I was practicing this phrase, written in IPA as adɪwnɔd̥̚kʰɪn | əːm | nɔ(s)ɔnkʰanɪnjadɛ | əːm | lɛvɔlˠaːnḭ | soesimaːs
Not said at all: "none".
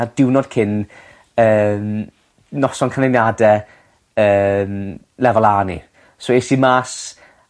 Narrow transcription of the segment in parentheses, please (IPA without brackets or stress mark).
s